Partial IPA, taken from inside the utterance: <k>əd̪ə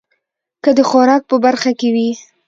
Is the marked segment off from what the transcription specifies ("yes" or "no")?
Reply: no